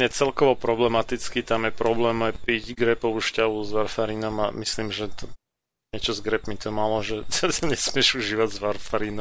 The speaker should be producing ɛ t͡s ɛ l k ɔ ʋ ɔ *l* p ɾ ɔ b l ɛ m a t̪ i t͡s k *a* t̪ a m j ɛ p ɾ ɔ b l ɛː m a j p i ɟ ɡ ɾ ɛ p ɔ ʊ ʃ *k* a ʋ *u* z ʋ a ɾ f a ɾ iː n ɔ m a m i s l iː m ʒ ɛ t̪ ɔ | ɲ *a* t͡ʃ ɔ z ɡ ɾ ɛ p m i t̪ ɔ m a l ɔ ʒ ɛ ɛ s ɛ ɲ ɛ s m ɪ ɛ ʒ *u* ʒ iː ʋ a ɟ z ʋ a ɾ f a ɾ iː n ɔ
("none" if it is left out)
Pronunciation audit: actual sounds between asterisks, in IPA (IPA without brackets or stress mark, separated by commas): none, i, c, u, ɛ, u